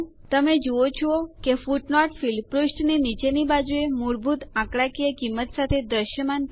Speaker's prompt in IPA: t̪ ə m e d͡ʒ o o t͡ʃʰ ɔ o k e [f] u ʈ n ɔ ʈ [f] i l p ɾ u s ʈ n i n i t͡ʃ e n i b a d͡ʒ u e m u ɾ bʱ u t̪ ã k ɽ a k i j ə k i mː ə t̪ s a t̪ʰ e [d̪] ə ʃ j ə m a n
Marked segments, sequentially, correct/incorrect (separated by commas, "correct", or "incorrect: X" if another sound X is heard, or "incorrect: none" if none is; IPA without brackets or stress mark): correct, correct, correct